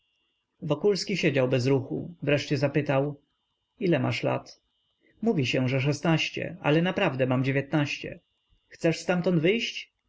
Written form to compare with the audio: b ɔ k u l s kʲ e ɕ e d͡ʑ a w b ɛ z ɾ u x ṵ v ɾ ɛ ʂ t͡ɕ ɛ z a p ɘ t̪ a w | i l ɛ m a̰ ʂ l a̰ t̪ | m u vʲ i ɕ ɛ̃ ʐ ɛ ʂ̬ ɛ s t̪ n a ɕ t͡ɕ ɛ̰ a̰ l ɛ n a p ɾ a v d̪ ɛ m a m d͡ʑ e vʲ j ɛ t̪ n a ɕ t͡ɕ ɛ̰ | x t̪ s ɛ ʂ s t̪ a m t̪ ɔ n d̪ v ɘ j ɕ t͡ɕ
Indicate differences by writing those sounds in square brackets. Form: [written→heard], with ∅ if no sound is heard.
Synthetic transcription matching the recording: [b→v] ɔ k u l s kʲ [e→i] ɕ e d͡ʑ a w b ɛ z ɾ u x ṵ v ɾ ɛ ʂ t͡ɕ ɛ z a p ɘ t̪ a w | i l ɛ m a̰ ʂ l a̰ t̪ | m u vʲ i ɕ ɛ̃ ʐ ɛ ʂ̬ ɛ s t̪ n a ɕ t͡ɕ ɛ̰ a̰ l ɛ n a p ɾ a v d̪ ɛ m a m d͡ʑ e vʲ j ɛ t̪ n a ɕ t͡ɕ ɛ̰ | x t̪ s ɛ ʂ s t̪ a m t̪ ɔ n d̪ v ɘ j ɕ t͡ɕ

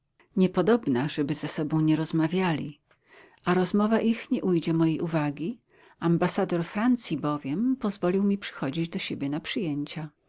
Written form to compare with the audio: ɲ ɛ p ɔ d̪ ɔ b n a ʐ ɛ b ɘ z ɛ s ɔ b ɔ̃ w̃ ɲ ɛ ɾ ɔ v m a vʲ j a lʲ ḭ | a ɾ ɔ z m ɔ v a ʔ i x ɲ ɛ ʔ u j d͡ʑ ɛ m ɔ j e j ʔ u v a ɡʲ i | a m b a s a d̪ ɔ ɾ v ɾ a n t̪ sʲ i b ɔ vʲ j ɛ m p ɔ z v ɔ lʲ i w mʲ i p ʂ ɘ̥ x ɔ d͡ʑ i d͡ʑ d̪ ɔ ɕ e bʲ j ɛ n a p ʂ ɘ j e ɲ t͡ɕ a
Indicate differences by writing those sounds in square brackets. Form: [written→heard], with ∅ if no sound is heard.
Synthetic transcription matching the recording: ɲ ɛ p ɔ d̪ ɔ b n a ʐ ɛ b ɘ z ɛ s ɔ b ɔ̃ w̃ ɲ ɛ ɾ ɔ [v→z] m a vʲ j a lʲ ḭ | a ɾ ɔ z m ɔ v a ʔ i x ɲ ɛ ʔ u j d͡ʑ ɛ m ɔ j e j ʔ u v a ɡʲ i | a m b a s a d̪ ɔ ɾ [v→f] ɾ a n t̪ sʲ i b ɔ vʲ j ɛ m p ɔ z v ɔ lʲ i w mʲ i p ʂ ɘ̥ x ɔ d͡ʑ i d͡ʑ d̪ ɔ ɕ e bʲ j ɛ n a p ʂ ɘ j e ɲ t͡ɕ a

